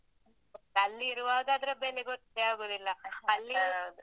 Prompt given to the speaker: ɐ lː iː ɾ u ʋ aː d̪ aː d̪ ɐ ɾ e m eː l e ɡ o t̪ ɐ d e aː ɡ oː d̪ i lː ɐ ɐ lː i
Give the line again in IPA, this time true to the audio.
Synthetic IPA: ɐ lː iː ɾ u ʋ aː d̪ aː d̪ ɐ ɾ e b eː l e ɡ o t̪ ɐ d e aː ɡ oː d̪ i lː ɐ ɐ lː i